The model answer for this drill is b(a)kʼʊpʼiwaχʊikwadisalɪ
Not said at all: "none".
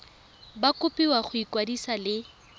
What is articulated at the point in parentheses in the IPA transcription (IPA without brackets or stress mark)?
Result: a